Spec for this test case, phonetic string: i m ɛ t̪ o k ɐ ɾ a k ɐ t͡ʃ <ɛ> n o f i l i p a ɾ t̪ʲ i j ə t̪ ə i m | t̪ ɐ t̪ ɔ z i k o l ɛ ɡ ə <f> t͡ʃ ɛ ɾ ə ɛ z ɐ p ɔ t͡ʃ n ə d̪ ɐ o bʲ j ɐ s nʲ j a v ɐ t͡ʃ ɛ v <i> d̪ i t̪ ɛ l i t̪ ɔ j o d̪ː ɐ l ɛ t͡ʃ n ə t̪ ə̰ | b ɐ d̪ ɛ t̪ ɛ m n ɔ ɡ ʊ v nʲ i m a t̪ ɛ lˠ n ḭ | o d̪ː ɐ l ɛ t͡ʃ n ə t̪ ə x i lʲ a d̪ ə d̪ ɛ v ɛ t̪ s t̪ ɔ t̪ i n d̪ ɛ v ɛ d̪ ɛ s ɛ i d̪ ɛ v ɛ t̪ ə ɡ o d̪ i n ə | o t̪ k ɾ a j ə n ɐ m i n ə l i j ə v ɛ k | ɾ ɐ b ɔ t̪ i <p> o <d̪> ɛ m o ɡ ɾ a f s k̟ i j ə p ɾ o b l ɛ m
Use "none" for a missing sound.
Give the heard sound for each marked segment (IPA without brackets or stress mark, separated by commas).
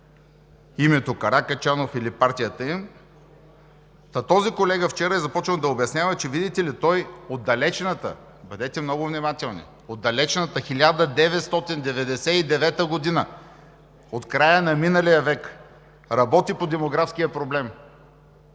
a, f, i, p, d̪